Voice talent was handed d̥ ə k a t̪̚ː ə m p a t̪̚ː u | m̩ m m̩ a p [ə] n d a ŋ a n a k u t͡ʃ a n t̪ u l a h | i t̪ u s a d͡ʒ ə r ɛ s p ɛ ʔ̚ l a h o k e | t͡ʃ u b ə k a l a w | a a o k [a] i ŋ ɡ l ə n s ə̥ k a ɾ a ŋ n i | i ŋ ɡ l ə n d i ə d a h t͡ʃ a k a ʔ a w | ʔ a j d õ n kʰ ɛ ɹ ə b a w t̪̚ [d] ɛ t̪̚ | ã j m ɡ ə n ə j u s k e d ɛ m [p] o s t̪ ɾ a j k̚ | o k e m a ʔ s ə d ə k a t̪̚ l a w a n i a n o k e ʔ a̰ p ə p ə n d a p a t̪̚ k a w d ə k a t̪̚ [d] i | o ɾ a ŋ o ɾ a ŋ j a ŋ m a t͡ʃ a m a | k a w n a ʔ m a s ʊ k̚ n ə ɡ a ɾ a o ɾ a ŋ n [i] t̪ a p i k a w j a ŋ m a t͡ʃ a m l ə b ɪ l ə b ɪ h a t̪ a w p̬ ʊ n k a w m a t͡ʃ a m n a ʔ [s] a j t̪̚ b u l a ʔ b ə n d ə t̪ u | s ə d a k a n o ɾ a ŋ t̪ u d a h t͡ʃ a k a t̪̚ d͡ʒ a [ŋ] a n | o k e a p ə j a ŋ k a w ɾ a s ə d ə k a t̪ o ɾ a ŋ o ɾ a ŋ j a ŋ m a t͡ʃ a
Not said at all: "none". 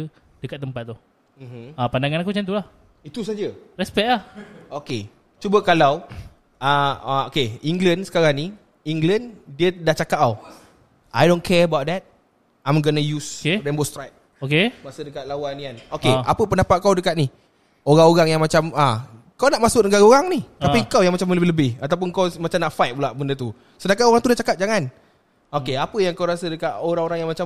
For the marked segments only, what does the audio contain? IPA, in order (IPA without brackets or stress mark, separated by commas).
a, e, d, b, n, i, f, ŋ